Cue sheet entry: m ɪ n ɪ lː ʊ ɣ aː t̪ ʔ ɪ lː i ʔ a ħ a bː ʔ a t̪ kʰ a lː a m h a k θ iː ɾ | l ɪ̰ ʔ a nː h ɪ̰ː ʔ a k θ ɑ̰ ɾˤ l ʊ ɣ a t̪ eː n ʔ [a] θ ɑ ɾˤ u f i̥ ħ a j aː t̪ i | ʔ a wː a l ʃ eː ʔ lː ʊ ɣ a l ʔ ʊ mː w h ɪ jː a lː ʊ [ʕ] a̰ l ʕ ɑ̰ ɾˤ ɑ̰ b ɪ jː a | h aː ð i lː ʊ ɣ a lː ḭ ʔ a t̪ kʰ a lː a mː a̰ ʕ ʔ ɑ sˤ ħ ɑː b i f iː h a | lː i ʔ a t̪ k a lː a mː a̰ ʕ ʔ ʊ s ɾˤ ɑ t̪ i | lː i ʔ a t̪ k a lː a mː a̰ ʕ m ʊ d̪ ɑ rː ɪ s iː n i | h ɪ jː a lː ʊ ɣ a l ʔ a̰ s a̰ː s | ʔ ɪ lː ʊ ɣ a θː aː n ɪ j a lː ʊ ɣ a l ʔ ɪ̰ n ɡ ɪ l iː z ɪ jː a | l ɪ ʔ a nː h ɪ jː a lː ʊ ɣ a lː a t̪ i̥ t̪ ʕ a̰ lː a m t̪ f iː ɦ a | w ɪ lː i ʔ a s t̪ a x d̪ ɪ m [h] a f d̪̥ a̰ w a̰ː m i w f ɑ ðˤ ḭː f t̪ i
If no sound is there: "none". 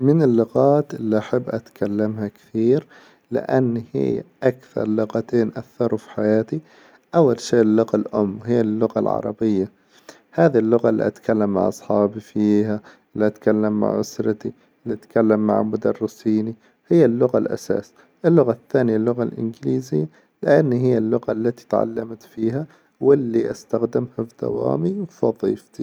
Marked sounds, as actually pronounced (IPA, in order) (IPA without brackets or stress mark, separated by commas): a, ɣ, h